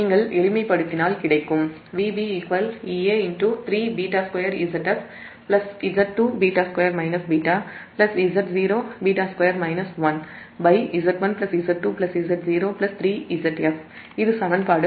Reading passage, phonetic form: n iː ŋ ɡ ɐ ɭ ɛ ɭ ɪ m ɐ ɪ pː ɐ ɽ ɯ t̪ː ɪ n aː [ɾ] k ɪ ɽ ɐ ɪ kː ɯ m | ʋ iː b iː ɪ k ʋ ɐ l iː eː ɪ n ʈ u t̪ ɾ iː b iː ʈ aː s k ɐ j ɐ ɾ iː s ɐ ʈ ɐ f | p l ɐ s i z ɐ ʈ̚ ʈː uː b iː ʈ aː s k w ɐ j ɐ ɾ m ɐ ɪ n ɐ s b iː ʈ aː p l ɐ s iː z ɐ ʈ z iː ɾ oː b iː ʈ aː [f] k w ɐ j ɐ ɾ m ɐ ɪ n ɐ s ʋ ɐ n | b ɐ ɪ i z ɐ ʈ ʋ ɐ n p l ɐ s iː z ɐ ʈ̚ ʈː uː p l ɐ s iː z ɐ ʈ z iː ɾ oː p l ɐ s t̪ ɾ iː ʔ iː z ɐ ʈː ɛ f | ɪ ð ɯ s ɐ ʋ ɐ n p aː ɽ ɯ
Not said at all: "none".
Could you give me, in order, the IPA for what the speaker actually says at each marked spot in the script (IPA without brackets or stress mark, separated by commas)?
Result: l, s